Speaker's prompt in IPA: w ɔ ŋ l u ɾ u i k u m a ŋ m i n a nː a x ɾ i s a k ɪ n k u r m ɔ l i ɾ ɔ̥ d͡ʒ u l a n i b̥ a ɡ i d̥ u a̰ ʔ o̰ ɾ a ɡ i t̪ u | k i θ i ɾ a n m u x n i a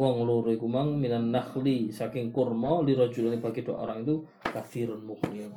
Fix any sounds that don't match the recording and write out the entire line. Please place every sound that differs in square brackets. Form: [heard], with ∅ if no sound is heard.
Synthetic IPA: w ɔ ŋ l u ɾ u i k u m a ŋ m i n a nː a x [l] i s a k ɪ [ŋ] k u r m ɔ l i ɾ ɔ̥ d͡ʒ u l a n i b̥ a ɡ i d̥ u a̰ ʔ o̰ ɾ a [ŋ] i t̪ u | k [a] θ i ɾ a n m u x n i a